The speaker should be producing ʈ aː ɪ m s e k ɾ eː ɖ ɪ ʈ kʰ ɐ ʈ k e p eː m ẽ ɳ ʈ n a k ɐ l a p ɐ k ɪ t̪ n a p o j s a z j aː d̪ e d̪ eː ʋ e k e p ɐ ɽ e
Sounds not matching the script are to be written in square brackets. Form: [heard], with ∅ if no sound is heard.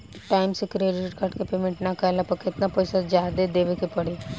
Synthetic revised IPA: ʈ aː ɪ m s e k ɾ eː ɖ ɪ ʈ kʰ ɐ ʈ k e p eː m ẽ ɳ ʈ n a k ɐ l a p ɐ k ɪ t̪ n a p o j s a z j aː d̪ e d̪ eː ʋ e k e p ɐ ɽ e